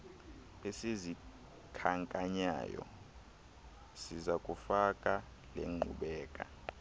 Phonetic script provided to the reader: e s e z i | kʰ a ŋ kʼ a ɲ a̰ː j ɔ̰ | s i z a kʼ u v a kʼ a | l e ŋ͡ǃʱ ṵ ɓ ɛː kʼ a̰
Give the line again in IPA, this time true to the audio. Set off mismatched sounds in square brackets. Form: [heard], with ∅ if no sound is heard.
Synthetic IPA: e s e z i | kʰ a ŋ kʼ a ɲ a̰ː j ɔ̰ | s i z a kʼ u [f] a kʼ a | l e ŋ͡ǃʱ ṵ ɓ ɛː kʼ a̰